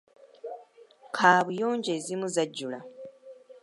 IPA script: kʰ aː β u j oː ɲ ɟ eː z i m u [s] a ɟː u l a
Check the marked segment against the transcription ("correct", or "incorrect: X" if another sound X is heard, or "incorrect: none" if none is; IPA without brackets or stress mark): incorrect: z